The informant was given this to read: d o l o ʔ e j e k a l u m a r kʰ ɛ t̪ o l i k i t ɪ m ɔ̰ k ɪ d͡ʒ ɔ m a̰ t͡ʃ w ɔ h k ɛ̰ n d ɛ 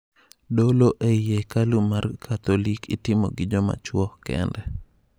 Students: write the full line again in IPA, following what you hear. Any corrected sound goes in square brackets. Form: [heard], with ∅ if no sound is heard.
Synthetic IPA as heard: d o l o ʔ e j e k a l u m a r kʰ [a] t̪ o l i k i t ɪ m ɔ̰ [ɡ] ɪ d͡ʒ ɔ m a̰ t͡ʃ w ɔ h k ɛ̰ n d ɛ